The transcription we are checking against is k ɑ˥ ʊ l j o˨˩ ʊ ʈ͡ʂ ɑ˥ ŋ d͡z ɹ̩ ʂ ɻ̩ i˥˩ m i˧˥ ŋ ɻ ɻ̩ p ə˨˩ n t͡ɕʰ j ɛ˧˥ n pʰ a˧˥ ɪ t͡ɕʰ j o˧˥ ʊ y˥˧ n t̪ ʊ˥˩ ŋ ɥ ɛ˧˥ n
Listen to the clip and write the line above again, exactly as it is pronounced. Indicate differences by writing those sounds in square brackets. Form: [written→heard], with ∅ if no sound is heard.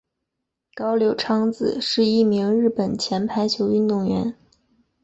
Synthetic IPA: k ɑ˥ ʊ l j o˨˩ ʊ [ʈ͡ʂ→ʈ͡ʂʰ] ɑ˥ ŋ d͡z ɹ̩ ʂ ɻ̩ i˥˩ m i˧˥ ŋ ɻ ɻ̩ p ə˨˩ n t͡ɕʰ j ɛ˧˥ n pʰ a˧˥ ɪ t͡ɕʰ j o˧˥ ʊ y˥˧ n t̪ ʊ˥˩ ŋ ɥ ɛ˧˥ n